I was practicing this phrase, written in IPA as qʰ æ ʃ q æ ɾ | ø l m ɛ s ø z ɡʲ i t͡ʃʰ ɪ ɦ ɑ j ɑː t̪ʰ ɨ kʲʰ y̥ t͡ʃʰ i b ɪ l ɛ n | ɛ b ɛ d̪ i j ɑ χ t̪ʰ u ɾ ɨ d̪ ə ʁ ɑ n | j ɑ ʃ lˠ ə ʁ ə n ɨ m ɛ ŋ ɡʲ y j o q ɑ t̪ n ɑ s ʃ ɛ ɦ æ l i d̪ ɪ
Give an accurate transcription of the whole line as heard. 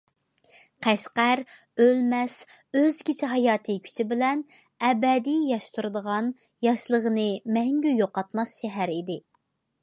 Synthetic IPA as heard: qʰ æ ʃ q æ ɾ | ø l m ɛ s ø z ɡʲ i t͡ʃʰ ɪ ɦ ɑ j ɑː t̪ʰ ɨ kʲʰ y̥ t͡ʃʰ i b ɪ l ɛ n | ɛ b ɛ d̪ i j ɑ ʃ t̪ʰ u ɾ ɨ d̪ ə ʁ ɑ n | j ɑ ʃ lˠ ə ʁ ə n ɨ m ɛ ŋ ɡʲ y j o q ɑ t̪ m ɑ s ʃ ɛ ɦ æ ɾ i d̪ ɪ